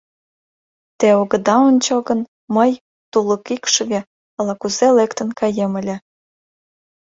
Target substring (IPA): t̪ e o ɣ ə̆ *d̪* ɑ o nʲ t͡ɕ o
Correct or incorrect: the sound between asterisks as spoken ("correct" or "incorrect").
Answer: correct